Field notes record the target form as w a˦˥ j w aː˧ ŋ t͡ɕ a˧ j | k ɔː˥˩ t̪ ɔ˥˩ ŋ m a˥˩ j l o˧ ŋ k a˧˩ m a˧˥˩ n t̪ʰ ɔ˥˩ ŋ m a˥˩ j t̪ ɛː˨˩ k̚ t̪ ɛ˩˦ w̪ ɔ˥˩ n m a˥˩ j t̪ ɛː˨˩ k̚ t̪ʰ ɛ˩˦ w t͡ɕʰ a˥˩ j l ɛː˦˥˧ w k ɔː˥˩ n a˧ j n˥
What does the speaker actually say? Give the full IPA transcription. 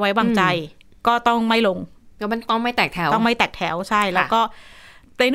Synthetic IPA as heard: w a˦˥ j w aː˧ ŋ t͡ɕ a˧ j | k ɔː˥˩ t̪ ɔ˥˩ ŋ m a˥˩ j l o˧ ŋ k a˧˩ m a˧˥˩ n t̪ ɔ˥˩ ŋ m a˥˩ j t̪ ɛː˨˩ k̚ t̪ʰ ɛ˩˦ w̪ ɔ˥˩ ŋ m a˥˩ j t̪ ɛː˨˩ k̚ t̪ʰ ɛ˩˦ w t͡ɕʰ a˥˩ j l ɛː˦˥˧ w k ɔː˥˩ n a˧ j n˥